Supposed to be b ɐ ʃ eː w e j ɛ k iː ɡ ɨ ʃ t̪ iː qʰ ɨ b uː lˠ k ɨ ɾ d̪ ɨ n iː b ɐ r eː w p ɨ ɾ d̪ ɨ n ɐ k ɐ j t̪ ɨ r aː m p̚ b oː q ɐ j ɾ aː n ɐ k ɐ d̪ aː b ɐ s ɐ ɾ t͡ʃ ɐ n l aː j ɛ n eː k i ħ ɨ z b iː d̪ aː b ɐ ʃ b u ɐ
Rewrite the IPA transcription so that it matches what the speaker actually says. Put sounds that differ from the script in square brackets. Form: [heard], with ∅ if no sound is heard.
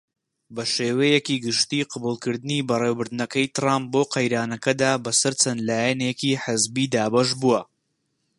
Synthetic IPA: b ɐ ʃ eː w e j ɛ k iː ɡ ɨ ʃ t̪ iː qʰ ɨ b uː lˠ k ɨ ɾ d̪ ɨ n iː b ɐ r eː w [b] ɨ ɾ d̪ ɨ n ɐ k ɐ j t̪ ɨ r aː m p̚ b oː q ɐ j ɾ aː n ɐ k ɐ d̪ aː b ɐ s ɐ ɾ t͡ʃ ɐ n l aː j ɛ n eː k i ħ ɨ z b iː d̪ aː b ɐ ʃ b u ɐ